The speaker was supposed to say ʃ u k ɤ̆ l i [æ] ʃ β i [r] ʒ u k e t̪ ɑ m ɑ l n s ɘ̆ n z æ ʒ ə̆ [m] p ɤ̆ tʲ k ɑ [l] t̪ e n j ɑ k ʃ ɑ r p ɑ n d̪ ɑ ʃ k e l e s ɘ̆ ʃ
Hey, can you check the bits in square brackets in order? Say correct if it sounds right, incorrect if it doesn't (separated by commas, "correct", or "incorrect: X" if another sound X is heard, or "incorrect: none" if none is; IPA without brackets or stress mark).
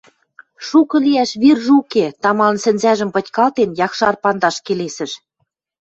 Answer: correct, correct, correct, correct